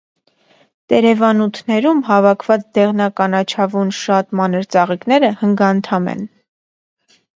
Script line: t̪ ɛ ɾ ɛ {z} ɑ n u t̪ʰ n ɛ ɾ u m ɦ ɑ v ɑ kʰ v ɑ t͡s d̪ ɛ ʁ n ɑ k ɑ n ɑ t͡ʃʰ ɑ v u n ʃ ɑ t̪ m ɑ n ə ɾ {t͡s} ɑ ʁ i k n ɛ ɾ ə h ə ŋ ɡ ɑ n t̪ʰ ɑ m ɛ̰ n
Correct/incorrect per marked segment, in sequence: incorrect: v, correct

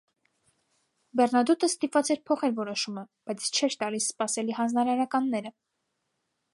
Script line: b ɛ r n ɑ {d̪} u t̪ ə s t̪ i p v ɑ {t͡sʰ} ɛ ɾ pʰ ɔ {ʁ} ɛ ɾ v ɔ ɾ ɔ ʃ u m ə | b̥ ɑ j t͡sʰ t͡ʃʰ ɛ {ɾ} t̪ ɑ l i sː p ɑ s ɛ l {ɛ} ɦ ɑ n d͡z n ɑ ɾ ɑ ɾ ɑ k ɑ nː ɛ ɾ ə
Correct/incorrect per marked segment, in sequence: correct, incorrect: t͡s, incorrect: χ, correct, incorrect: i

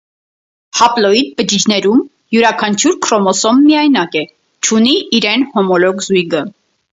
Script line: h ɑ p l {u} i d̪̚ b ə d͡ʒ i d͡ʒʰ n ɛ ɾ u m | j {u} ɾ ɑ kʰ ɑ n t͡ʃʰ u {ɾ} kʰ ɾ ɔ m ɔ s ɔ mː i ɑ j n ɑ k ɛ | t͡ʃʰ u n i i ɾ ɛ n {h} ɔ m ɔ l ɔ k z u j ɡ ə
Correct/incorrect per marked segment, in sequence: incorrect: ɔ, correct, correct, correct

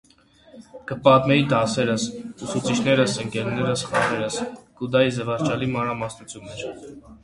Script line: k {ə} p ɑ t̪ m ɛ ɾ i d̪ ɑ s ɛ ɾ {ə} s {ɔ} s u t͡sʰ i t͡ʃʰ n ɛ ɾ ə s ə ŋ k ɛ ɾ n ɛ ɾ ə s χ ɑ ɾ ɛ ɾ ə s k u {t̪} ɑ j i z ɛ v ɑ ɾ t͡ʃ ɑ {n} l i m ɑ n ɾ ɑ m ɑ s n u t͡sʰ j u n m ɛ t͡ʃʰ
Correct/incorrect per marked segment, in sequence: correct, correct, incorrect: u, incorrect: d̪, incorrect: none

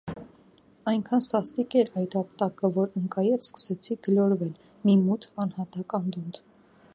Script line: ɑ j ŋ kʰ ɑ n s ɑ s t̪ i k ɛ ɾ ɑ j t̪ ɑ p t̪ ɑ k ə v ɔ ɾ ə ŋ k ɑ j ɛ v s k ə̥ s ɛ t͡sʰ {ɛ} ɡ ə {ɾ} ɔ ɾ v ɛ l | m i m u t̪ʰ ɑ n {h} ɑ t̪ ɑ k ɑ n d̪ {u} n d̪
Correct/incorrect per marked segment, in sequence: incorrect: i, incorrect: l, correct, correct

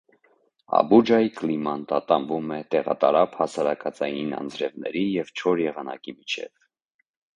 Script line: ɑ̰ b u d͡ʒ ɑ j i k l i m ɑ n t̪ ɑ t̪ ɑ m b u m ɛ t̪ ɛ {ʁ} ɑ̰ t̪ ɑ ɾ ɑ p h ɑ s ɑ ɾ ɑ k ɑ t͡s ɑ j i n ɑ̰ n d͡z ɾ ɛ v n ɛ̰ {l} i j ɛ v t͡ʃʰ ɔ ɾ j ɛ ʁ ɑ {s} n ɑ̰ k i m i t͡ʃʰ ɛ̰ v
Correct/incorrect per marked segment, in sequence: correct, incorrect: ɾ, incorrect: none

